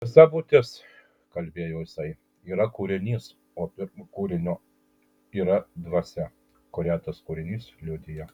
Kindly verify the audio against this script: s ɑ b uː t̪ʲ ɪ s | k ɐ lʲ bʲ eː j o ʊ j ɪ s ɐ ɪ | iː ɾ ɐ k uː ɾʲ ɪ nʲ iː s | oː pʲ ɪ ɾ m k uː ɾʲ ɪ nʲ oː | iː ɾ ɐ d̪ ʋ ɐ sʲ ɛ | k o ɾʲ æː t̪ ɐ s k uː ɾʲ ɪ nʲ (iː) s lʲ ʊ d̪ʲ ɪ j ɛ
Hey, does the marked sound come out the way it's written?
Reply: yes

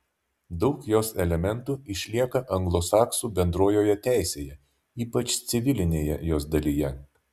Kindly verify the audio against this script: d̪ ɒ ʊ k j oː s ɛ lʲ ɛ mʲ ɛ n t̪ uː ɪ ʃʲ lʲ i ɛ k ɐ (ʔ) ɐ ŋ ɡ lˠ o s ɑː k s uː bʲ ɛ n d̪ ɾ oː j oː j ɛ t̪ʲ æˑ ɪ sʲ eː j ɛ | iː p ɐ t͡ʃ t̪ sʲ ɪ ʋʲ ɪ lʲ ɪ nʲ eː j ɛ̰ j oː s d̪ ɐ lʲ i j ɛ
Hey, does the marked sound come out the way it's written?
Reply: yes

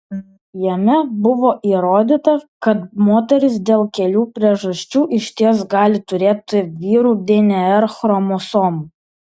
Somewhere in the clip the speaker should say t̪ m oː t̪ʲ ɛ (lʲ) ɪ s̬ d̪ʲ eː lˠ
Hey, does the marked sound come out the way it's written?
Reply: no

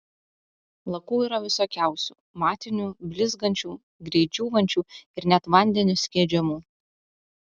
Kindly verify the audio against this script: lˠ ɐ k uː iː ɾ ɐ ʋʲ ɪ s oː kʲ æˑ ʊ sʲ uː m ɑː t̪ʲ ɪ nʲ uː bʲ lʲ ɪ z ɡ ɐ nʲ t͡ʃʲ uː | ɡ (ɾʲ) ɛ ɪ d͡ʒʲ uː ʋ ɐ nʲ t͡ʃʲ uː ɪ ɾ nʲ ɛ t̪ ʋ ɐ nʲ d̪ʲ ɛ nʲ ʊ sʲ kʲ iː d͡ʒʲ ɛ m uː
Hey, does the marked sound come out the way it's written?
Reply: yes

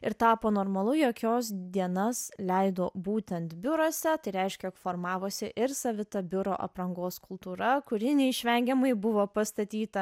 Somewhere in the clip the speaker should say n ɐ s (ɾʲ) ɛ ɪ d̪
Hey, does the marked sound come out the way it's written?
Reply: no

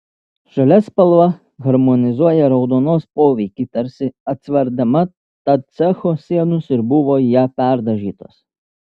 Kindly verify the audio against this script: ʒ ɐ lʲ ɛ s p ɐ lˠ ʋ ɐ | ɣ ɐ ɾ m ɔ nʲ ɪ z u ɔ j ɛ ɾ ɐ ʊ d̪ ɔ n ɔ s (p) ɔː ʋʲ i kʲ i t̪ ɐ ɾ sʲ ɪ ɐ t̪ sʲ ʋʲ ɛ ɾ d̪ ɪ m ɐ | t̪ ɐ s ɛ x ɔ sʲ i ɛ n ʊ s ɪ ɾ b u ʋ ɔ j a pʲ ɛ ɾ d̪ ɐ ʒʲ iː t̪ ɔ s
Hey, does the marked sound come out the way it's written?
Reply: yes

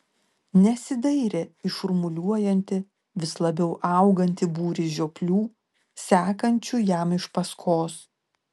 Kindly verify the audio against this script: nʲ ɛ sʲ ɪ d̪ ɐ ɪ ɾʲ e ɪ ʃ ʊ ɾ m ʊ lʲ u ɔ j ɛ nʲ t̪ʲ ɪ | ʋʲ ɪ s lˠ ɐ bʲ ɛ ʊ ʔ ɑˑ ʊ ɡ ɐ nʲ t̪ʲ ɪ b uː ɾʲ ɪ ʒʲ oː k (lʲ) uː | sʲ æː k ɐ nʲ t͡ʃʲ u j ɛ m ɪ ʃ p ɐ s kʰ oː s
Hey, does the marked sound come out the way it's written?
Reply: yes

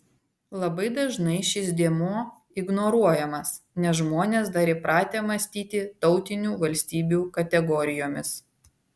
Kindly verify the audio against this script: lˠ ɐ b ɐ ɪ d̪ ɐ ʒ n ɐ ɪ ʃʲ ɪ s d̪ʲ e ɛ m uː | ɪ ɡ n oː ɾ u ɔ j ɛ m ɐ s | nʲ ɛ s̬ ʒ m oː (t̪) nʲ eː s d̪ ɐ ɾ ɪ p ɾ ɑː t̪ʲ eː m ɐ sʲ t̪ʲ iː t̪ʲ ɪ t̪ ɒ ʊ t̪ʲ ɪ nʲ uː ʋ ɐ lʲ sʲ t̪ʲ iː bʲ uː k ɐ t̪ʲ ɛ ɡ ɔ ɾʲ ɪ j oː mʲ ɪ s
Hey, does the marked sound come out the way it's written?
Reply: no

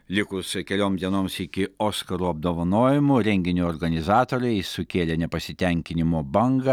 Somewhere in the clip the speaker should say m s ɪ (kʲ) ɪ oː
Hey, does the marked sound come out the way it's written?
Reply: yes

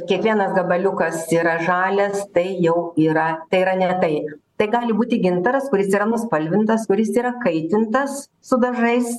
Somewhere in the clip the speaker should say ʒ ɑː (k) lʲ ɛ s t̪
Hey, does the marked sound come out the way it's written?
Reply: no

